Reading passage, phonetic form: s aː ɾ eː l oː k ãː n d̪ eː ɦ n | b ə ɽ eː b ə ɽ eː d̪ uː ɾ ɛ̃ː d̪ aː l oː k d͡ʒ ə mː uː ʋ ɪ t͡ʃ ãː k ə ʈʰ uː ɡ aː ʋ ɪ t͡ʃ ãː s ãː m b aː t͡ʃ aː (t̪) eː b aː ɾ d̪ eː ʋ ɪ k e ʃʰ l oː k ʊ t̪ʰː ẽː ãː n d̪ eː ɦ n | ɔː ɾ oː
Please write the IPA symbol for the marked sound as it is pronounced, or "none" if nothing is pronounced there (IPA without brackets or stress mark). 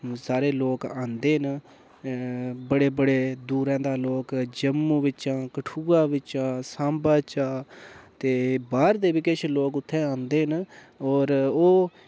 t̪